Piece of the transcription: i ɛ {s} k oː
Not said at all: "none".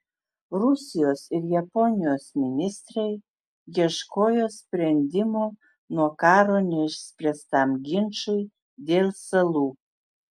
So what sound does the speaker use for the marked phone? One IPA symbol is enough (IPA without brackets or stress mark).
ʃ